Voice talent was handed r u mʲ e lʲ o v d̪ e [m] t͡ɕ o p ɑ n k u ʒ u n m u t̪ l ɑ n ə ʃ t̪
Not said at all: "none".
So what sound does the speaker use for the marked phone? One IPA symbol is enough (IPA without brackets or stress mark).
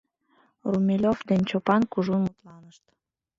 n